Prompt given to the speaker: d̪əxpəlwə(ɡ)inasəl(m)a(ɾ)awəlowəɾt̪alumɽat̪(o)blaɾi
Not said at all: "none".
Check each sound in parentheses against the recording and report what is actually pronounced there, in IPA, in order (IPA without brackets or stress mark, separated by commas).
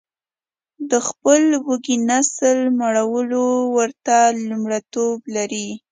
ɡ, m, ɽ, o